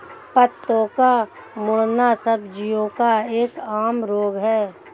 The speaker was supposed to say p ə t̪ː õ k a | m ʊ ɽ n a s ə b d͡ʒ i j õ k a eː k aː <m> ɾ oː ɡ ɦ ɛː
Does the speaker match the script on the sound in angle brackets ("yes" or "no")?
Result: yes